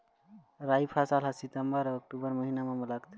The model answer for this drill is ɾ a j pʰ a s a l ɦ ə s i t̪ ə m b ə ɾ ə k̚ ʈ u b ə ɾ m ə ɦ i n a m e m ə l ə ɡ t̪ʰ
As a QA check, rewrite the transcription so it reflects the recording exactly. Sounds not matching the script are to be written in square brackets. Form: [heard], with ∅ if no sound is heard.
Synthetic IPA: ɾ a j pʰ a s a l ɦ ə s i t̪ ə m b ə ɾ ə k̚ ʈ u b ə ɾ m ə ɦ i n a m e m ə l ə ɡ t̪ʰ